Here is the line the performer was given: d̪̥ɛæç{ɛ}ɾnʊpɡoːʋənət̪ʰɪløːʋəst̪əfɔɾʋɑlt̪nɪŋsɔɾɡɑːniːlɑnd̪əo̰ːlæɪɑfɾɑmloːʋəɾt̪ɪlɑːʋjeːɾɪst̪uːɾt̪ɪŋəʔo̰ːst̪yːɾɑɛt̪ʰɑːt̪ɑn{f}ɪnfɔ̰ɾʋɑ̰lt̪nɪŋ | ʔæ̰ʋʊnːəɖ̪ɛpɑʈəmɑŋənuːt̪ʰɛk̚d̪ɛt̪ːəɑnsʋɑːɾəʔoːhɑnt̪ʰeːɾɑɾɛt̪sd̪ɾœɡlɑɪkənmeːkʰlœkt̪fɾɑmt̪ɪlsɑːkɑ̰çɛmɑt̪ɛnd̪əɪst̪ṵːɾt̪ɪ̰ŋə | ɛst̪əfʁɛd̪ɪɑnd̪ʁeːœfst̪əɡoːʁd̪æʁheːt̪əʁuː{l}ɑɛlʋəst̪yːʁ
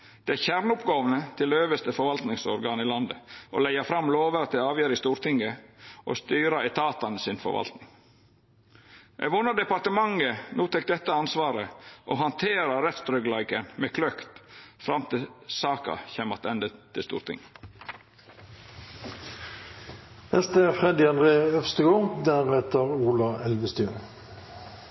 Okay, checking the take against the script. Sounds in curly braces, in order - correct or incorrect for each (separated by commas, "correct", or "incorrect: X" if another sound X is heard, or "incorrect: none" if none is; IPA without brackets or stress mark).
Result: incorrect: æ, incorrect: s, correct